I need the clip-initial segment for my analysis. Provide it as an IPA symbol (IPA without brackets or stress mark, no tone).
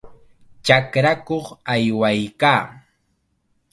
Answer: t͡ʃ